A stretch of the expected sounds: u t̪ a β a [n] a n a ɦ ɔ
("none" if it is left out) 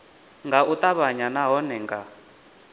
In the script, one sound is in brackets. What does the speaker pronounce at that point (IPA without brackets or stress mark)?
ɲ